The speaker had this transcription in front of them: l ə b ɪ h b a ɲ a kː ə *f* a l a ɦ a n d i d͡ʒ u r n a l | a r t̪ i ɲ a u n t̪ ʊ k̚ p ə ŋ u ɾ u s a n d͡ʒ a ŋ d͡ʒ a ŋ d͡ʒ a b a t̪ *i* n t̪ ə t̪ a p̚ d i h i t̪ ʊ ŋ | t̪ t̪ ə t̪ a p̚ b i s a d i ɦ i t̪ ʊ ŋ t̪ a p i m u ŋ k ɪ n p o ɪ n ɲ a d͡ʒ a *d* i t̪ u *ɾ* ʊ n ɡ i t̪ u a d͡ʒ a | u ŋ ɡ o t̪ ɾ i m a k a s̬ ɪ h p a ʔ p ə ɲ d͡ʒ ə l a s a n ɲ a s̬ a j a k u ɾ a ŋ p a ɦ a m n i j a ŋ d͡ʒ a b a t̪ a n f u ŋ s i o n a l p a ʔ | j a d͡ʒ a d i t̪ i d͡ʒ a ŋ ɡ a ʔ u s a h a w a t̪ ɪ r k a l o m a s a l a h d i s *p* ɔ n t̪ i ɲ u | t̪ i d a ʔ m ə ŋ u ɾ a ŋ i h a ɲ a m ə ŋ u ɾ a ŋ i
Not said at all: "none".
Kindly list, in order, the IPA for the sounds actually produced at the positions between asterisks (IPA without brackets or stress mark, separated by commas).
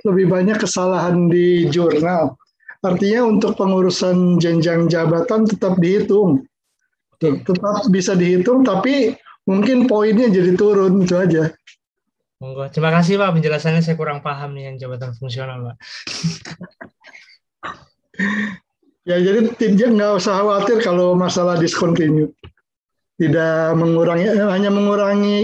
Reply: s, a, d, ɾ, k